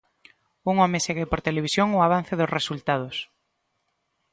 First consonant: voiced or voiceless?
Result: voiced